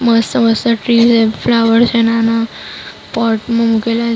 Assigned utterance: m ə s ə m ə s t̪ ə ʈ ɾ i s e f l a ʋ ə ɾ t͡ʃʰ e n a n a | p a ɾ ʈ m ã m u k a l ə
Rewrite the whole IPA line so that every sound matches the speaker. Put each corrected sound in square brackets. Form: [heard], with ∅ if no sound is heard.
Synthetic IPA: m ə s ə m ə s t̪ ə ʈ ɾ i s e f l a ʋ ə ɾ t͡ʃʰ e n a n a | p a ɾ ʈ m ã m u k [e] l [a]